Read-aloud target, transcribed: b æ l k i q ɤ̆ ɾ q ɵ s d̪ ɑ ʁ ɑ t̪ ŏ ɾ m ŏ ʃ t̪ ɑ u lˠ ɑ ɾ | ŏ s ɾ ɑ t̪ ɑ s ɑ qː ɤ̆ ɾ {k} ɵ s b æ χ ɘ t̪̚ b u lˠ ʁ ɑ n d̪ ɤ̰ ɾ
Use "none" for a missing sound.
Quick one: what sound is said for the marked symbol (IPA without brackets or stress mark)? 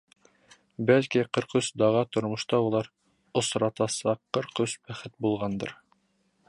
q